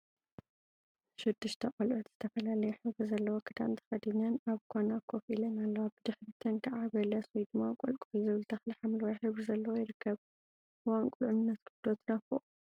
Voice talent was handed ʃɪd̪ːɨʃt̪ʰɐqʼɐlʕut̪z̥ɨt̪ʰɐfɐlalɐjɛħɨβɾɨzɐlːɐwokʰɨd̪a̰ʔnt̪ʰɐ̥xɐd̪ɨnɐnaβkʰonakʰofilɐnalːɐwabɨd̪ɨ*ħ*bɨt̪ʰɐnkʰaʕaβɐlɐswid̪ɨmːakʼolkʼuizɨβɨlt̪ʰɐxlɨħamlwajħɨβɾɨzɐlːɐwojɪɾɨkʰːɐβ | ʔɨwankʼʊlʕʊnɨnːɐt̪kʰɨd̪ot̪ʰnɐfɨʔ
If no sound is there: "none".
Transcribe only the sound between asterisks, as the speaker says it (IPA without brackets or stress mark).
ħ